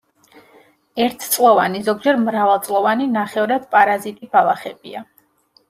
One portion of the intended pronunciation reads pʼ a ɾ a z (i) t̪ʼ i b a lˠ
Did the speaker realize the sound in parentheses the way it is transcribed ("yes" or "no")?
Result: yes